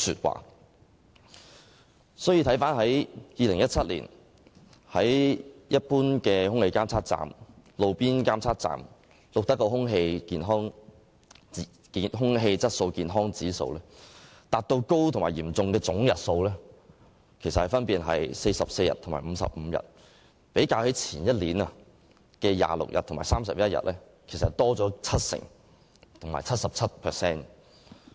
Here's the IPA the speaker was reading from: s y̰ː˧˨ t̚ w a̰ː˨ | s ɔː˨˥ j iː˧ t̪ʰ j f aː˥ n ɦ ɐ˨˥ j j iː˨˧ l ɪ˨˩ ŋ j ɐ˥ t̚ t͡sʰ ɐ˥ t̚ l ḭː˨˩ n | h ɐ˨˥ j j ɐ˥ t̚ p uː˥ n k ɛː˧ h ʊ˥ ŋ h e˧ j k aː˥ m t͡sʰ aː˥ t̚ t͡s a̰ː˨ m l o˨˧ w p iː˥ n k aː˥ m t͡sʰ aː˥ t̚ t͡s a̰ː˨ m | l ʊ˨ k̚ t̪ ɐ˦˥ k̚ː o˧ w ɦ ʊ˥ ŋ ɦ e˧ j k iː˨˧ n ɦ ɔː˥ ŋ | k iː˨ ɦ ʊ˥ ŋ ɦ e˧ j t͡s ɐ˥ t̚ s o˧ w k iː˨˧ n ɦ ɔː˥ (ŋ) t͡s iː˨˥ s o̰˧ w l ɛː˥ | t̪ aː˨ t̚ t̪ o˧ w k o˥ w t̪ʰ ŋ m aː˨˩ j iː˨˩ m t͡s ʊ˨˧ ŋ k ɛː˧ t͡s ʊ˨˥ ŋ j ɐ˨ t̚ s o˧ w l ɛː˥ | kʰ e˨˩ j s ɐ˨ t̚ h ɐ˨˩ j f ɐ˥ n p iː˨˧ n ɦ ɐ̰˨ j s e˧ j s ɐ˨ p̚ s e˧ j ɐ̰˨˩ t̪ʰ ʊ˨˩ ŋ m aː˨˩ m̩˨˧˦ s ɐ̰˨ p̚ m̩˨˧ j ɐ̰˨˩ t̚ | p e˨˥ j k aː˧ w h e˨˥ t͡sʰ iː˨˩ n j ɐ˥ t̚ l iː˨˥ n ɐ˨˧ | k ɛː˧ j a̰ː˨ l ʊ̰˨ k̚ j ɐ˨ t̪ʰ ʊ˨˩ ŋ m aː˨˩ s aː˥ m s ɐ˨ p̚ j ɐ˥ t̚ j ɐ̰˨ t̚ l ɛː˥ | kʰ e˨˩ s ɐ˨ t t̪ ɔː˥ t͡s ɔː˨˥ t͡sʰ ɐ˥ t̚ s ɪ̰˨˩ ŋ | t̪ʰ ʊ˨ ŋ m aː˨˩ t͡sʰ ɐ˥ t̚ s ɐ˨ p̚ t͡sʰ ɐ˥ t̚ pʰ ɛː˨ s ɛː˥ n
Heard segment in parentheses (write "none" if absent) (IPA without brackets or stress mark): ŋ